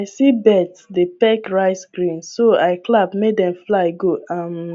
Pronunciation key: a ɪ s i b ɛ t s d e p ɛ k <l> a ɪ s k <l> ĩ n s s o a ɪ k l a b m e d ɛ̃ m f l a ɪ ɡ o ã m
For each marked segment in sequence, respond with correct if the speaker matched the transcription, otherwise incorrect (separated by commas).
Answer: incorrect, incorrect